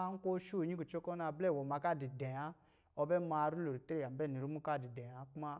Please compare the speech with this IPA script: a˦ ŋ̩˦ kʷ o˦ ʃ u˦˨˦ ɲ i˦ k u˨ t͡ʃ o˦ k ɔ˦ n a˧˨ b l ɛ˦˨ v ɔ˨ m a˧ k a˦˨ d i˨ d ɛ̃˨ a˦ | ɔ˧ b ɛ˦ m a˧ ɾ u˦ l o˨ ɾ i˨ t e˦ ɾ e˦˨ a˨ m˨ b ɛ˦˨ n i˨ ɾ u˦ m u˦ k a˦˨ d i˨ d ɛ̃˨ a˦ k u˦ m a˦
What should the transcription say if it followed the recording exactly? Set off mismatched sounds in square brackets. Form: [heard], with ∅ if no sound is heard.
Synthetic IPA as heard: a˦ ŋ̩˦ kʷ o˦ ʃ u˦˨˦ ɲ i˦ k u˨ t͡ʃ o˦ k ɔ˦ n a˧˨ b l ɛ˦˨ [w] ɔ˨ m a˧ k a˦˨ d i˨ d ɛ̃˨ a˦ | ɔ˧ b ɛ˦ m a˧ ɾ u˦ l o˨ ɾ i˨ t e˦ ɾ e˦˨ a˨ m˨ b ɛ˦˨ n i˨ ɾ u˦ m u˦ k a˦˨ d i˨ d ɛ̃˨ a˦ k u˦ m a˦

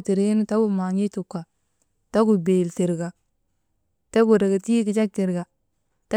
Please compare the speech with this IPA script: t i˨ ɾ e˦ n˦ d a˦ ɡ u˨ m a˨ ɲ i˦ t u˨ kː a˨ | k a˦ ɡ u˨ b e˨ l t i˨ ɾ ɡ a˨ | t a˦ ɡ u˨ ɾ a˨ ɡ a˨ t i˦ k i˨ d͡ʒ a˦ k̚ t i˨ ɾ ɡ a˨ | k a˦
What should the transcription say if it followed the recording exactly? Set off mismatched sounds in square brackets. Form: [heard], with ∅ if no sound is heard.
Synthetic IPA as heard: t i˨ ɾ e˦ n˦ [t] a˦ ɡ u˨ m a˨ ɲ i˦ t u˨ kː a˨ | [t] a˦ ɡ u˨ b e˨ l t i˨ ɾ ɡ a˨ | t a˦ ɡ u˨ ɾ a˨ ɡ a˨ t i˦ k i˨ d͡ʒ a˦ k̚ t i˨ ɾ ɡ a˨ | [t] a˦

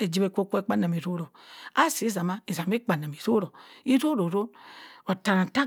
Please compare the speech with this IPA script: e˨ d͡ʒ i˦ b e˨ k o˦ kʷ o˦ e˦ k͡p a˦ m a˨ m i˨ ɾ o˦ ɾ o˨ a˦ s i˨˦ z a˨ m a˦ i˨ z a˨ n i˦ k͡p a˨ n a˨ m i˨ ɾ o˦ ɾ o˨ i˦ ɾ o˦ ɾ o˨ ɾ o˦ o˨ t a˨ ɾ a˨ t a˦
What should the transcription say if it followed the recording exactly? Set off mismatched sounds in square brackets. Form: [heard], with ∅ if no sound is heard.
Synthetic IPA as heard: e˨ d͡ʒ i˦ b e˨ k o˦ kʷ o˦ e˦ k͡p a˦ [n] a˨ m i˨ ɾ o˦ ɾ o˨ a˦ s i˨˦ z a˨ m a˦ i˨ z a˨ [m] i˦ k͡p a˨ n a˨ m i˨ ɾ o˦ ɾ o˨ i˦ ɾ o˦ ɾ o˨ ɾ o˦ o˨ t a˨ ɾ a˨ t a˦

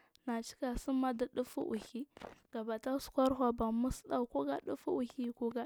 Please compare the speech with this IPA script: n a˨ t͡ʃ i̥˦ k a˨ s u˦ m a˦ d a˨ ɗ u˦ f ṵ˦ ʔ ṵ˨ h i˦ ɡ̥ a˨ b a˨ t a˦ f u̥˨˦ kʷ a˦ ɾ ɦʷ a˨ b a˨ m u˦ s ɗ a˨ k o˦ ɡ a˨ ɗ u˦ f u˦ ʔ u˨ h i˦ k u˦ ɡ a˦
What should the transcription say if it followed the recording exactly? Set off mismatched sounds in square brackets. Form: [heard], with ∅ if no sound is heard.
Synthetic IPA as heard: n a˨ t͡ʃ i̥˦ k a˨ s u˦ m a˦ d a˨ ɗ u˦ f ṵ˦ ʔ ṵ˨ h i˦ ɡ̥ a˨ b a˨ t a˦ [s] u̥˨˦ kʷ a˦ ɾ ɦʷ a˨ b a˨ m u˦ s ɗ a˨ k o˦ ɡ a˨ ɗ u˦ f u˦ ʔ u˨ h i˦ k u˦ ɡ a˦

